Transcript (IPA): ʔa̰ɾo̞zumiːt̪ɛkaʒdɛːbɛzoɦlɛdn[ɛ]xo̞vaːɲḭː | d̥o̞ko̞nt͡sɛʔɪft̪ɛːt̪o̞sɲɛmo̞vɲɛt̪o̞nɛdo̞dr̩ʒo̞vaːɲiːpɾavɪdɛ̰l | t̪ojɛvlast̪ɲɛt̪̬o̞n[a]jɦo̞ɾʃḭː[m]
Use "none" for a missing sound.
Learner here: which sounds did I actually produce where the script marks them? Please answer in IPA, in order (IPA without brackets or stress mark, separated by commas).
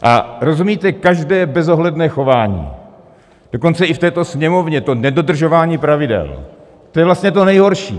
ɛː, ɛ, none